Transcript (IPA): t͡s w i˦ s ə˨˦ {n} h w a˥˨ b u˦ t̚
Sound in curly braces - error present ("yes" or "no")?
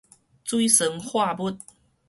yes